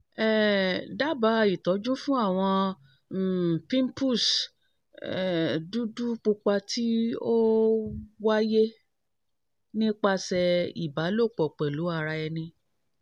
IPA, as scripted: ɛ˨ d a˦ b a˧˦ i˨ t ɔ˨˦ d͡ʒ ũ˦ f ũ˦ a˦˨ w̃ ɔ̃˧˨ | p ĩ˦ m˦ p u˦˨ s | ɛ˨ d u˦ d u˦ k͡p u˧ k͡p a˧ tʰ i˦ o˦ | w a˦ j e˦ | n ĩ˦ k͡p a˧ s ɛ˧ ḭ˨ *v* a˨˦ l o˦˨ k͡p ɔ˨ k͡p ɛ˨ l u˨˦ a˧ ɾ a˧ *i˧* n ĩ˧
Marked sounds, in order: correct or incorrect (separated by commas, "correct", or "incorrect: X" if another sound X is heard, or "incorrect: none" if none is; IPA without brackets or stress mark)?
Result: incorrect: b, incorrect: ɛ˧